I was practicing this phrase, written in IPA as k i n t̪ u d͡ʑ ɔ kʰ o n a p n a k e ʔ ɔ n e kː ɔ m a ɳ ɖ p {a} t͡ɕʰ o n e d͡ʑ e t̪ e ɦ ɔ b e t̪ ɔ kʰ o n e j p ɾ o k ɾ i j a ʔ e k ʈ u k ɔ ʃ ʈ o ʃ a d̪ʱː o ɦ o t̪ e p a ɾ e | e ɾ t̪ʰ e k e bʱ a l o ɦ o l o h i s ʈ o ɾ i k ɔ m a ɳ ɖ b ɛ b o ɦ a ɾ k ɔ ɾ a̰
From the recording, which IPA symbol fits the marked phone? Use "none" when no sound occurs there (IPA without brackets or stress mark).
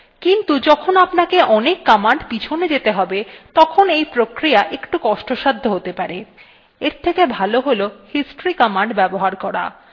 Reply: i